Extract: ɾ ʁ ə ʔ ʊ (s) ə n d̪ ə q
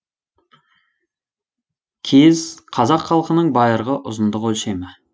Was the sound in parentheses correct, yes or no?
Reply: no